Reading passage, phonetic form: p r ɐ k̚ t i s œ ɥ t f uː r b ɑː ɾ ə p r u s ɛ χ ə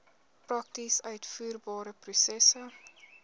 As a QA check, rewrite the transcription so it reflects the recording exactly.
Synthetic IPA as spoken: p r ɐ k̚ t i s œ ɥ t f uː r b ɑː ɾ ə p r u s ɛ s ə